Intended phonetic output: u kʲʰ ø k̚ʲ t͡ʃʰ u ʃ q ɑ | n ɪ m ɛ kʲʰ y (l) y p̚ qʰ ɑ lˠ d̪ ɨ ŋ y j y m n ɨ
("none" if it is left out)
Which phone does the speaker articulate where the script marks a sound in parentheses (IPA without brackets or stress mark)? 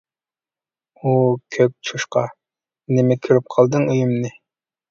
ɾ